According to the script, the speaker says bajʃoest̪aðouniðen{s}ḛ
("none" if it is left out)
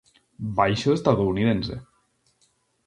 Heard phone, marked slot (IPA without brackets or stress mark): s